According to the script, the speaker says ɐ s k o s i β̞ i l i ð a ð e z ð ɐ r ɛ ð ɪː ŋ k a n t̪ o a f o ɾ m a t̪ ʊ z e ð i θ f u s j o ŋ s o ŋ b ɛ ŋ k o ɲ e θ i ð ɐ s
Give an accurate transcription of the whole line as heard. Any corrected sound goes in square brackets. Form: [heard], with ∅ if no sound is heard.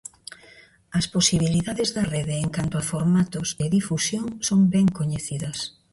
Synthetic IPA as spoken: ɐ s [p] o s i β̞ i l i ð a ð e z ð ɐ r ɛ ð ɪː ŋ k a n t̪ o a f o ɾ m a t̪ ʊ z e ð i [∅] f u s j o ŋ s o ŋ b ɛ ŋ k o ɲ e θ i ð ɐ s